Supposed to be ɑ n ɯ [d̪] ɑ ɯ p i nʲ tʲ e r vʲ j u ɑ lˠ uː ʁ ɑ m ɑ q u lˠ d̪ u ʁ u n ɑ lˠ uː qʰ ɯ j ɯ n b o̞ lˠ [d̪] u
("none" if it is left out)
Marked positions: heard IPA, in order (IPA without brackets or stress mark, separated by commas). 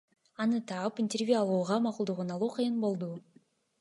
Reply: t̪, d̪